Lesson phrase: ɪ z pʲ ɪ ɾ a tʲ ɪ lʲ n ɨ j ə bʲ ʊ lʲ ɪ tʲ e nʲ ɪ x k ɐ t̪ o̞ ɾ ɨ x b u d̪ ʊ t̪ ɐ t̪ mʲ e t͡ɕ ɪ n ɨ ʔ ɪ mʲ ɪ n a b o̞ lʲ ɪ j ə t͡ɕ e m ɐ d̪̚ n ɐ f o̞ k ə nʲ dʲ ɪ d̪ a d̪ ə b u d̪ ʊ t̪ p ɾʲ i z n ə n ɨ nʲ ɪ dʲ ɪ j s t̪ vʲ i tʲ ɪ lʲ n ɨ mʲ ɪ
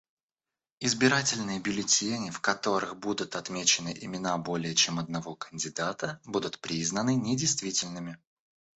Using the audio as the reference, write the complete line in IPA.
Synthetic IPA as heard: ɪ z bʲ ɪ ɾ a tʲ ɪ lʲ n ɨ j ə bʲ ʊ lʲ ɪ tʲ e nʲ ɪ f k ɐ t̪ o̞ ɾ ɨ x b u d̪ ʊ t̪ ɐ t̪ mʲ e t͡ɕ ɪ n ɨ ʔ ɪ mʲ ɪ n a b o̞ lʲ ɪ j ə t͡ɕ e m ɐ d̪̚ n ɐ v o̞ k ə nʲ dʲ ɪ d̪ a t̪ ə b u d̪ ʊ t̪ p ɾʲ i z n ə n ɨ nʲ ɪ dʲ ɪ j s t̪ vʲ i tʲ ɪ lʲ n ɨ mʲ ɪ